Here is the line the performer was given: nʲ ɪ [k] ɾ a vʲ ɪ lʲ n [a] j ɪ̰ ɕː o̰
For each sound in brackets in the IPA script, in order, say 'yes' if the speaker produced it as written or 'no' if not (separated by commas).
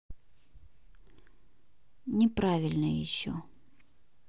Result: no, no